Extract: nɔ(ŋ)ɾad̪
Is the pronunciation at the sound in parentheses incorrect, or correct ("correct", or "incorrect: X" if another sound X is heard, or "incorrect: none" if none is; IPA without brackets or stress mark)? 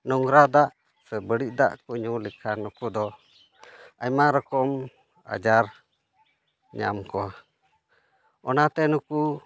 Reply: correct